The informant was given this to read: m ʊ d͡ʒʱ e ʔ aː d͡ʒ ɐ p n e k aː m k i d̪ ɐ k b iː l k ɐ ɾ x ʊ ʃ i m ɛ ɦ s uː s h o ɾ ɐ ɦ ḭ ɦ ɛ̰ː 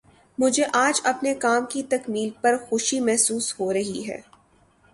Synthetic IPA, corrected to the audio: m ʊ d͡ʒʱ e ʔ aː d͡ʒ ɐ p n e k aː m k i t̪ ɐ k m iː l p ɐ ɾ x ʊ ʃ i m ɛ ɦ s uː s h o ɾ ɐ ɦ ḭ ɦ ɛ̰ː